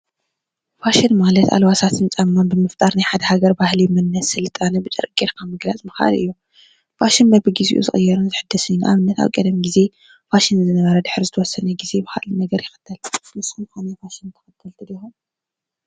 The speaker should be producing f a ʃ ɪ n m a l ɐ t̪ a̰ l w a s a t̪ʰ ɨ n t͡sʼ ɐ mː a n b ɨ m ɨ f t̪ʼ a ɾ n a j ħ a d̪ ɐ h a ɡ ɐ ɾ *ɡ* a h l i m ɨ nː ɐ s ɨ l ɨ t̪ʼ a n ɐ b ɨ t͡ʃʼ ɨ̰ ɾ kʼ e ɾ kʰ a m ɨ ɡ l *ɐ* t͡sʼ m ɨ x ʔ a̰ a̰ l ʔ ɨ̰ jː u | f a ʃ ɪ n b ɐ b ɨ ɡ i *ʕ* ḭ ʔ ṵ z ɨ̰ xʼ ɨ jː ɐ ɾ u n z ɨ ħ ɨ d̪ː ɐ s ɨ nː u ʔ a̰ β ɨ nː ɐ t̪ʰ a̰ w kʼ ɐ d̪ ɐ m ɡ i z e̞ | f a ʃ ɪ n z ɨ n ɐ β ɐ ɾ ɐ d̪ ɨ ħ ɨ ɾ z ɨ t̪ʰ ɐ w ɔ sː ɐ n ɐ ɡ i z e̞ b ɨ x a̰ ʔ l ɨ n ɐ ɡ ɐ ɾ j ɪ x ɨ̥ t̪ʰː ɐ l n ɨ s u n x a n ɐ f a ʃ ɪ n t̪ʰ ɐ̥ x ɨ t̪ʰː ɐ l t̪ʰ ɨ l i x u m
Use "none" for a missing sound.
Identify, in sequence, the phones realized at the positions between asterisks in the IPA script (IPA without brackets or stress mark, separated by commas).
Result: b, a, z